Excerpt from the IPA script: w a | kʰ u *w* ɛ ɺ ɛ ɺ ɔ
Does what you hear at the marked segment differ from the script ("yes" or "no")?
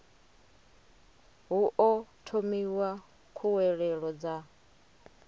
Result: no